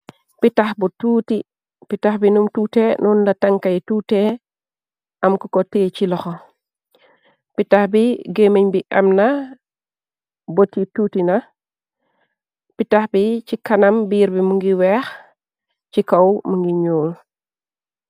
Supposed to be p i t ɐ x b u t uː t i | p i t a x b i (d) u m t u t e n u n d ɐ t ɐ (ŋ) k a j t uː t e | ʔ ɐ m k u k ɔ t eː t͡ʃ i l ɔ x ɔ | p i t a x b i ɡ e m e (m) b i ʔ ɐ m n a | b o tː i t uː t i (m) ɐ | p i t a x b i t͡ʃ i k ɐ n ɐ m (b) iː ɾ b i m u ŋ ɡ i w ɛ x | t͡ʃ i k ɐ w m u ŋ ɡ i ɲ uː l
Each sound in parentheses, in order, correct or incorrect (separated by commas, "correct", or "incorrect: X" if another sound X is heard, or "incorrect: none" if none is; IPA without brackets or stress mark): incorrect: n, correct, incorrect: ɲ, incorrect: n, correct